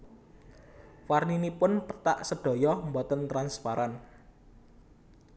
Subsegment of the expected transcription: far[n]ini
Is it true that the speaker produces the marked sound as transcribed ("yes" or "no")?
yes